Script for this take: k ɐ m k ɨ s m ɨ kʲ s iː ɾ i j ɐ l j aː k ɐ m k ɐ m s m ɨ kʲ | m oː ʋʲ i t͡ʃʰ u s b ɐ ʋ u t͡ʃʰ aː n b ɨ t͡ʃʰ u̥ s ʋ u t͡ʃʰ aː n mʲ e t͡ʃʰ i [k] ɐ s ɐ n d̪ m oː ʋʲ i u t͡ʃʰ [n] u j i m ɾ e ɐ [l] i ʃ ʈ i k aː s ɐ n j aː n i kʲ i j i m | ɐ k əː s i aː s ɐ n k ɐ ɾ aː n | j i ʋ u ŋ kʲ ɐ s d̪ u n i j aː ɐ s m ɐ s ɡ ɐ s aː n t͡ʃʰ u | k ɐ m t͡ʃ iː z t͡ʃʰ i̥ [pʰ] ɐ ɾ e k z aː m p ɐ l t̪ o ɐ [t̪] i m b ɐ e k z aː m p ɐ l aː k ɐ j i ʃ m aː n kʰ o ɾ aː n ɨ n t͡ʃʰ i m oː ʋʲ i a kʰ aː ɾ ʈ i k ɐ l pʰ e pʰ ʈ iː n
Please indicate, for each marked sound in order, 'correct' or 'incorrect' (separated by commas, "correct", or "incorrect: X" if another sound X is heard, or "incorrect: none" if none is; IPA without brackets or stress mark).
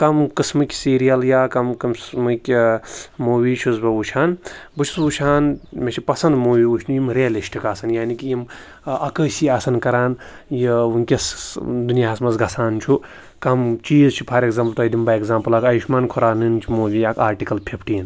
incorrect: p, correct, correct, correct, incorrect: d̪